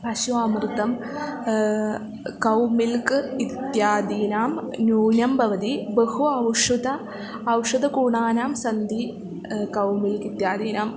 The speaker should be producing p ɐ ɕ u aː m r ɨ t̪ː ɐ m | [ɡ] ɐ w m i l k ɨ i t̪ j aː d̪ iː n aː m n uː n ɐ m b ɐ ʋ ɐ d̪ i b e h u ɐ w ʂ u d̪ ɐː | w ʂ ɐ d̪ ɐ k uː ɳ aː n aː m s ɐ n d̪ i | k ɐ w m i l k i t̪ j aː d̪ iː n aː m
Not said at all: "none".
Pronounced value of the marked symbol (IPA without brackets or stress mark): k